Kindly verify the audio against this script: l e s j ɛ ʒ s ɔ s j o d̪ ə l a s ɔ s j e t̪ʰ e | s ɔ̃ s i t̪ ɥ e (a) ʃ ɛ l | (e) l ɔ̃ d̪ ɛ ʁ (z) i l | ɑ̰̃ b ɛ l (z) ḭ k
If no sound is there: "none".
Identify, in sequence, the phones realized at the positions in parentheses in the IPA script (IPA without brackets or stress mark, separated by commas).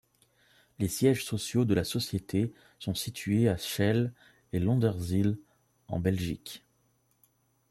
a, e, z, ʒ